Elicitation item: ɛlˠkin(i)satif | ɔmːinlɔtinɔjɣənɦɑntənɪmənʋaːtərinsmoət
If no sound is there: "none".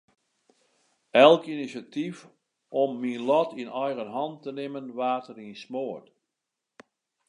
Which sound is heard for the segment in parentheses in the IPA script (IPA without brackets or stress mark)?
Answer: i